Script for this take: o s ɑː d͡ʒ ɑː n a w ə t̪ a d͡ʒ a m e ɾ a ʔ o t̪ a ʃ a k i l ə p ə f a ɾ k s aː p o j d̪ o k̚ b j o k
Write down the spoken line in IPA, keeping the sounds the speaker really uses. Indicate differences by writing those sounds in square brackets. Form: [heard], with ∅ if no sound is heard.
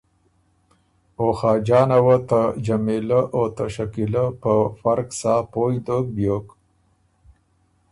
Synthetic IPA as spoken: o [x] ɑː d͡ʒ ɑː n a w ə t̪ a d͡ʒ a m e [l] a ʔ o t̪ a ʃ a k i l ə p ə f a ɾ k s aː p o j d̪ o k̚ b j o k